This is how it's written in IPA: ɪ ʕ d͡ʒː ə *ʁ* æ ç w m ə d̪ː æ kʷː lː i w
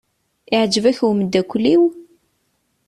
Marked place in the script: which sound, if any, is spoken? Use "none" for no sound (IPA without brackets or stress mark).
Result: v